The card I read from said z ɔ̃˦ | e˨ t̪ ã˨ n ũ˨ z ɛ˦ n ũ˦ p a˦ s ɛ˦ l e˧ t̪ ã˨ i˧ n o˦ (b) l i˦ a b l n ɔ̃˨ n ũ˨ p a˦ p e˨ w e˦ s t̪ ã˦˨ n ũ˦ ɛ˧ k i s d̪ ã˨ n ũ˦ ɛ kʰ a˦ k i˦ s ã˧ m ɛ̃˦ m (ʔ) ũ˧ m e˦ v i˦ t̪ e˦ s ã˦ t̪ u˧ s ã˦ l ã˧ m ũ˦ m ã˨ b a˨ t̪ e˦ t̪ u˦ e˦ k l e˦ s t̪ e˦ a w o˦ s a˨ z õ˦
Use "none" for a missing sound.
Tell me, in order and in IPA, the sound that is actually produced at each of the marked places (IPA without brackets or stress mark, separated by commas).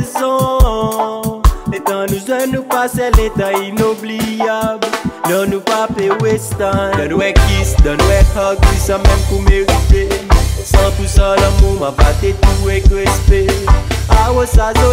b, k